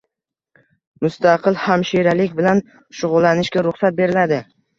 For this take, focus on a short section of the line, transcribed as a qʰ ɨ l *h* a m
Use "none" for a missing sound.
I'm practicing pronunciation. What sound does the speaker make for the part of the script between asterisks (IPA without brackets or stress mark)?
h